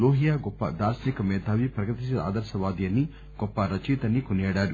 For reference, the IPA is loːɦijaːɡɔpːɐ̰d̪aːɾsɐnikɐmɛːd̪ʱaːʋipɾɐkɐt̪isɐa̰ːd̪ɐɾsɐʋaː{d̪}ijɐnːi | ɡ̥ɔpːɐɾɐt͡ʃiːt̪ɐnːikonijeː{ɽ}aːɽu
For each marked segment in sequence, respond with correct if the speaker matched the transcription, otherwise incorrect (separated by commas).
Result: correct, correct